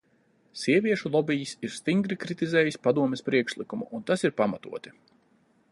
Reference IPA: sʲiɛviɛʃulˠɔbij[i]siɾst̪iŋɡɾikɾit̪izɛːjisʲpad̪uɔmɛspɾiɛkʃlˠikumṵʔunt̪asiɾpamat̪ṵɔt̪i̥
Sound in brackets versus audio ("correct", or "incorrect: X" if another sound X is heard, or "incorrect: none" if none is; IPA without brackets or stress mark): correct